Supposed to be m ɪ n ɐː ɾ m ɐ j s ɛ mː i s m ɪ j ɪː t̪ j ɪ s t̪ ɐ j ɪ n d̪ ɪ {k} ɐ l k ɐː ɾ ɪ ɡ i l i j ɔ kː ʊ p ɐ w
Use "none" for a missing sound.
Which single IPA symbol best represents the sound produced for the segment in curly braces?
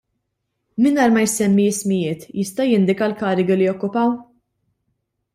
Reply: k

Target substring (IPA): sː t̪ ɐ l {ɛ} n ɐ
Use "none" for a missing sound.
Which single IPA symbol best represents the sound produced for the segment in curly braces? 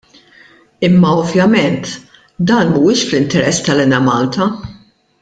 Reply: ɛ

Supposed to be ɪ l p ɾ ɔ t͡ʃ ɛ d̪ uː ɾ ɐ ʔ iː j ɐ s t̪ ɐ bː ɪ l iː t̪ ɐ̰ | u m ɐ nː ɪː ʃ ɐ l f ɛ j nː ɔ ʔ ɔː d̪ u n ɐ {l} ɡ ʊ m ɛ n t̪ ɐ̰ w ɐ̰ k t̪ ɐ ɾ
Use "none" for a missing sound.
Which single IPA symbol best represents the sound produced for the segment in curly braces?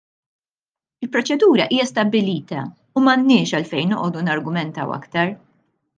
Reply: ɾ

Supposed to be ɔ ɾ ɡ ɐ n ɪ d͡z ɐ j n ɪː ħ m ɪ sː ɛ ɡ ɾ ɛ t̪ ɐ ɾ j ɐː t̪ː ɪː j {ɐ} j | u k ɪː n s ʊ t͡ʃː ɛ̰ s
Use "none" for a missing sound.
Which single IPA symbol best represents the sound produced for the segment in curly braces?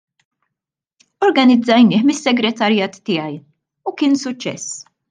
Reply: ɐ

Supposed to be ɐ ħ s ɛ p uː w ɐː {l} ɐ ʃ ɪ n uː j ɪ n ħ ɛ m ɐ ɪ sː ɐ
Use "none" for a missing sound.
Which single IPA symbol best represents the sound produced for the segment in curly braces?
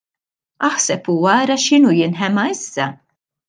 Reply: ɾ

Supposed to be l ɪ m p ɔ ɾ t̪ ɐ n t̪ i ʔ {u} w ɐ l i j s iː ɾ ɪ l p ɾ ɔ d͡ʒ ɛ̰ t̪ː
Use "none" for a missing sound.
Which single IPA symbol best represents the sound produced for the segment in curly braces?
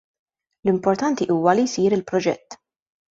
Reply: uː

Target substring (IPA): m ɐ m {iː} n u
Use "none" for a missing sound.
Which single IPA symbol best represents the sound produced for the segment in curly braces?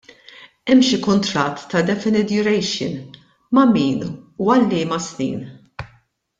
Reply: iː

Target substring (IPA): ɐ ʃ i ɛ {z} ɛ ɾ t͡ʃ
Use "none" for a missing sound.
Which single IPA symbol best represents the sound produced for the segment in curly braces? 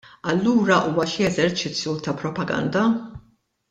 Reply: z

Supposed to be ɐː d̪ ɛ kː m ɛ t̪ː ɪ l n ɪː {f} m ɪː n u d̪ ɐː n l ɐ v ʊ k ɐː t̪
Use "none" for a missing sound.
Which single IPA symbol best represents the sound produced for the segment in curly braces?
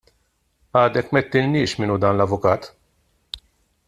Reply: ʃ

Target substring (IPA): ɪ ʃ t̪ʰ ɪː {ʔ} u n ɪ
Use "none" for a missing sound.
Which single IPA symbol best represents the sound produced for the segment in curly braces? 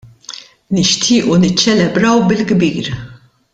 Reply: ʔ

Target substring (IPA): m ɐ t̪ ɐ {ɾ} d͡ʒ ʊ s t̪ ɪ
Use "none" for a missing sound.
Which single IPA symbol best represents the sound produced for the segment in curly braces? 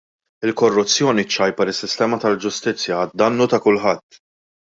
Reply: l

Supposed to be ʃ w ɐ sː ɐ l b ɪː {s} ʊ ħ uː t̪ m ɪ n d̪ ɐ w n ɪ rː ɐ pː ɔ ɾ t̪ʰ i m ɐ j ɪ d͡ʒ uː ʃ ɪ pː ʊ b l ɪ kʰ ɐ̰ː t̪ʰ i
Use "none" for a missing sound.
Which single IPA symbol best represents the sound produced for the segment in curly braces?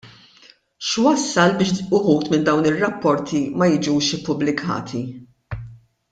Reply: ʃ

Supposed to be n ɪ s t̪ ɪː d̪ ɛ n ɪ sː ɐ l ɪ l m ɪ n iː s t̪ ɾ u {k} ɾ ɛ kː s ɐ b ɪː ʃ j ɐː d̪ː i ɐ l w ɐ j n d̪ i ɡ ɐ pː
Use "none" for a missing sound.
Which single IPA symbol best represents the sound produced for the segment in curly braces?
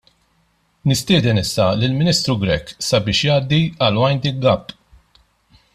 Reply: ɡ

